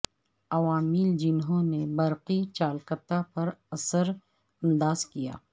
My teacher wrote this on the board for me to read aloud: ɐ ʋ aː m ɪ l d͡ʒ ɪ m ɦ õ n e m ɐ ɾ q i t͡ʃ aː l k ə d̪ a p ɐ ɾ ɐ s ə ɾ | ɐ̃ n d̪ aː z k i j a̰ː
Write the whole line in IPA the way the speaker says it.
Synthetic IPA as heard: ɐ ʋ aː m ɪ l d͡ʒ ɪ n ɦ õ n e b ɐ ɾ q i t͡ʃ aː l k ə t̪ a p ɐ ɾ ɐ s ə ɾ | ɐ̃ n d̪ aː z k i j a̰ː